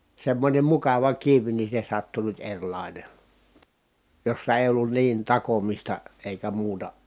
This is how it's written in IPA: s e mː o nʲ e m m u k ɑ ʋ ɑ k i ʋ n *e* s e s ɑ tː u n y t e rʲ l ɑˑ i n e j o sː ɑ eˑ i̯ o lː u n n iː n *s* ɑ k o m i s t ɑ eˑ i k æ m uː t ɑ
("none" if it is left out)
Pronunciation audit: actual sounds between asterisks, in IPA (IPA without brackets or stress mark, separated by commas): i, t